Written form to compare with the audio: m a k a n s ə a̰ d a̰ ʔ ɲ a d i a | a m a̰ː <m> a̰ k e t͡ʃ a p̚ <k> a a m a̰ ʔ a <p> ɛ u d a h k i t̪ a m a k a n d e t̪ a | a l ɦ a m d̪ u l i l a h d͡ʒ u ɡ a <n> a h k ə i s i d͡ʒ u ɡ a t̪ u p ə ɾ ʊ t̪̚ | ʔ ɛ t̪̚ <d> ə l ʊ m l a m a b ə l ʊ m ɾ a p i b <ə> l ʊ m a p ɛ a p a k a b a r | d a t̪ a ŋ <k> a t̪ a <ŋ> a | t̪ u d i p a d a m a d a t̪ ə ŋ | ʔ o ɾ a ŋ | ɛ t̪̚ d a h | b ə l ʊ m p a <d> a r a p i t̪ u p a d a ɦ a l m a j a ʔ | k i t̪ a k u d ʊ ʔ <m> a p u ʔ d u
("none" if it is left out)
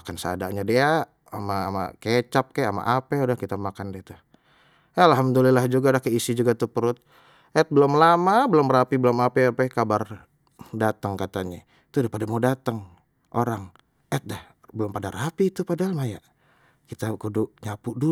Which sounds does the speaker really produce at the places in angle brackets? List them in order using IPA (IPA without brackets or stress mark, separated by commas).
m, k, p, d, b, ə, k, ɲ, d, ɲ